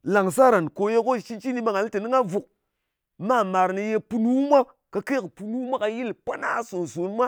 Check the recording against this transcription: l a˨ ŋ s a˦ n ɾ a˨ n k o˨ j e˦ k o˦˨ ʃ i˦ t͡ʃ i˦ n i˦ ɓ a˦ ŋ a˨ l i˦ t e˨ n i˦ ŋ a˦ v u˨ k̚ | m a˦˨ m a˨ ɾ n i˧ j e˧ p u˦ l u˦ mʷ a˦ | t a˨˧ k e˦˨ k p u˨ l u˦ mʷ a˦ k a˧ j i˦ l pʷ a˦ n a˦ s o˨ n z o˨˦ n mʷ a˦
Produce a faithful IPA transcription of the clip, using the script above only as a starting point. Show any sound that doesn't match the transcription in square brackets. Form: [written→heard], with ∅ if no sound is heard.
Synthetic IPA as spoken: l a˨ ŋ s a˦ [n→∅] ɾ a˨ n k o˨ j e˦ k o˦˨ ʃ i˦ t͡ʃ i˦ n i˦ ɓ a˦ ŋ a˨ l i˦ t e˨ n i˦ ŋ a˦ v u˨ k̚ | m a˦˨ m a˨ ɾ n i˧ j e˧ p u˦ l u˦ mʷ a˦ | [t→k] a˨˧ k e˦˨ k p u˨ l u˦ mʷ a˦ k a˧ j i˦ l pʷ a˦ n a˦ s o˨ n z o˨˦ n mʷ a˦